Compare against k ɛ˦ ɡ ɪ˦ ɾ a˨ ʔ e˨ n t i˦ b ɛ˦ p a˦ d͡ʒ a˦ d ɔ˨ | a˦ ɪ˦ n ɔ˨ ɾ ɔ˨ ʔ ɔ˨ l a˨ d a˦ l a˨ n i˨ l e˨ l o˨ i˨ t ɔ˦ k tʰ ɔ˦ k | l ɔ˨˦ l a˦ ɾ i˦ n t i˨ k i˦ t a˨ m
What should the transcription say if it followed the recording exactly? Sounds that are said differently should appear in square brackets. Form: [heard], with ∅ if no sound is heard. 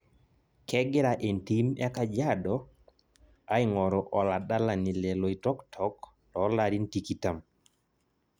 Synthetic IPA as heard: k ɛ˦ ɡ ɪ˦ ɾ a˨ ʔ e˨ n t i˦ [m] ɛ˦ [k] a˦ d͡ʒ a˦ d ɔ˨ | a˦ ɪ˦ [ŋ] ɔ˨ ɾ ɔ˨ ʔ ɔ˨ l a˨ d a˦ l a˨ n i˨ l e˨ l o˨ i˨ t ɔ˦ k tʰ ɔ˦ k | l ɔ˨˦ l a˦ ɾ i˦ n t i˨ k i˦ t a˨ m